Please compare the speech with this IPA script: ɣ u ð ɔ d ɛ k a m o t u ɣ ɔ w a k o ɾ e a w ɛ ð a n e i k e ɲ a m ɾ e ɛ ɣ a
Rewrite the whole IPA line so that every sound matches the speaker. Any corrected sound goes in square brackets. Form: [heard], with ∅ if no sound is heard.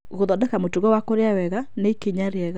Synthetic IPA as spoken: ɣ [o] ð ɔ d ɛ k a m o t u ɣ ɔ w a k o ɾ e a w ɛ [ɣ] a n e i k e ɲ a [∅] ɾ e ɛ ɣ a